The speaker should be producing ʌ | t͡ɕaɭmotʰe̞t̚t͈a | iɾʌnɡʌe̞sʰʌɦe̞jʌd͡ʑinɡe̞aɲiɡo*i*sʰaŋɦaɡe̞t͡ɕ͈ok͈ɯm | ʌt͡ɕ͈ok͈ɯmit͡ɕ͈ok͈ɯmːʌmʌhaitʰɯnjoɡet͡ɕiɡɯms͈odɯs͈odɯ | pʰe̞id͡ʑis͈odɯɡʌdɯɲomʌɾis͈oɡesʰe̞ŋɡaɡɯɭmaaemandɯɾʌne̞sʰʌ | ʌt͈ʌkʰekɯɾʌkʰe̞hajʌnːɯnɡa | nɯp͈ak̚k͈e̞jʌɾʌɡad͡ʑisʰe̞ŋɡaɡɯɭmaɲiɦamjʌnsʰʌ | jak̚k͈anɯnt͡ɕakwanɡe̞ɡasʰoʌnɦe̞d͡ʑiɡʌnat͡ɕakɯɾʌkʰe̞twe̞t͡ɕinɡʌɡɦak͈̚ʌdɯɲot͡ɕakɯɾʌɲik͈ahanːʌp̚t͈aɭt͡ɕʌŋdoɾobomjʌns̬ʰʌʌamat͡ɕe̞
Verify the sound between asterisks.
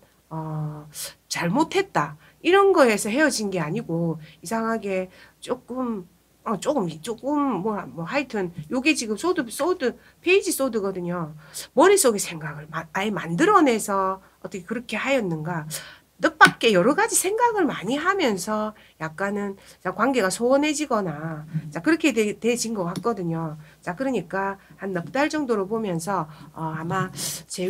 correct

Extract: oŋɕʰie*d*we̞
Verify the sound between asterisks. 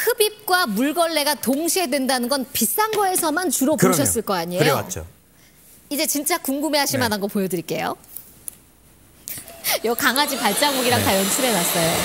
correct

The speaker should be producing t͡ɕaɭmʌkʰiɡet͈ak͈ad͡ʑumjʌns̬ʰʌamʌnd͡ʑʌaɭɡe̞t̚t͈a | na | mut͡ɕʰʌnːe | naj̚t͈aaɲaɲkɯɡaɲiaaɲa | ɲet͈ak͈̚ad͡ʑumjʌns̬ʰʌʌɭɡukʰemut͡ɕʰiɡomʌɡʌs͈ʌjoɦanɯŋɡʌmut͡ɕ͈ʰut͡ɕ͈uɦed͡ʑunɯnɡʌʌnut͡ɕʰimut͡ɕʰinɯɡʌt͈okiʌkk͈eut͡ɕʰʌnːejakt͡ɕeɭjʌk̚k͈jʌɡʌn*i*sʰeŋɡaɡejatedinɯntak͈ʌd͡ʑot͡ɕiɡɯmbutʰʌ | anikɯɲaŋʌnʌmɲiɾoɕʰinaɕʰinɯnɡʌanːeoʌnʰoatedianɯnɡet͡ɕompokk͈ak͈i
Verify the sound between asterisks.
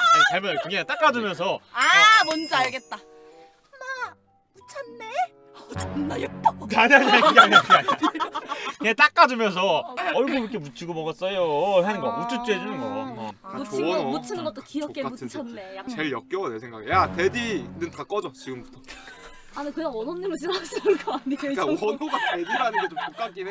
incorrect: e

